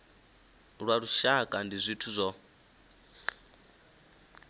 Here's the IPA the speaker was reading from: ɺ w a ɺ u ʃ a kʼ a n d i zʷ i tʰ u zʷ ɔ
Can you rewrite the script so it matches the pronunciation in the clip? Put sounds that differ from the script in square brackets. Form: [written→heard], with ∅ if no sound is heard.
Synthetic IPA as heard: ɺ w a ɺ u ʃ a kʼ a n d i zʷ i tʰ u zʷ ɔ